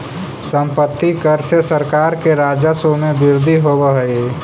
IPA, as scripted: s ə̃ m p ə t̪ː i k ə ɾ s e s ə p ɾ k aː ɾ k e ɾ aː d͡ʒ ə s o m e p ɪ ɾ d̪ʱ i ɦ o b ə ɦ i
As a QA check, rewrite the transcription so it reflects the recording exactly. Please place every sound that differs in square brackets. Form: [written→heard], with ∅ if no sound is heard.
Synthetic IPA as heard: s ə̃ m p ə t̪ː i k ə ɾ s e s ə [p→∅] ɾ k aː ɾ k e ɾ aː d͡ʒ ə s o m e [p→b] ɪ ɾ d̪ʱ i ɦ o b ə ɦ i

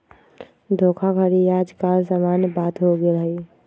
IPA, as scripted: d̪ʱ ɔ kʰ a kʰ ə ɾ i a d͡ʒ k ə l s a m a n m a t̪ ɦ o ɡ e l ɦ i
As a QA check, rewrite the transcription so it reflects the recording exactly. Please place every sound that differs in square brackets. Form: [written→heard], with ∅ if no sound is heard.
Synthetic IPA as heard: d̪ʱ [ɔ→o] kʰ a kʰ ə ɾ i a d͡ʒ k [ə→a] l s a m a n [m→b] a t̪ ɦ o ɡ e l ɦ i

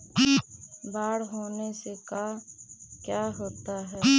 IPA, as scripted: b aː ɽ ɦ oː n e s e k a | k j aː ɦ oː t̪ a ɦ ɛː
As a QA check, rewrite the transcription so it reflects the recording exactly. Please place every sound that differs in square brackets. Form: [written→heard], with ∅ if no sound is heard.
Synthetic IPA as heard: b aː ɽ ɦ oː n e s e k a | k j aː ɦ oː t̪ a ɦ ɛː

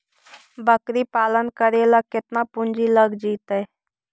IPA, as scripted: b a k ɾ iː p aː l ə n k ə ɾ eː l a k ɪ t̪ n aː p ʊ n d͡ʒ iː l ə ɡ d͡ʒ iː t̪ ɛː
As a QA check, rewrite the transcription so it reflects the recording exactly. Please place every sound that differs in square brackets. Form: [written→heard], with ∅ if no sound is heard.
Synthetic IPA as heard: b [a→ə] k ɾ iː p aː l ə n k ə ɾ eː l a k ɪ t̪ n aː p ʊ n d͡ʒ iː l ə ɡ d͡ʒ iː t̪ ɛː

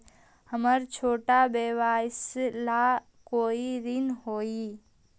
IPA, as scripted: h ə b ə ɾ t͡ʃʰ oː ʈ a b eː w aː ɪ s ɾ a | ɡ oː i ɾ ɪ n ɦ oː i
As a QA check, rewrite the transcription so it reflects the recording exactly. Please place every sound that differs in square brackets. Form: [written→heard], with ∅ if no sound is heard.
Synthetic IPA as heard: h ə [b→m] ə ɾ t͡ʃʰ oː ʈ a b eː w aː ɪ s [ɾ→l] a | [ɡ→k] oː i ɾ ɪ n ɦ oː i

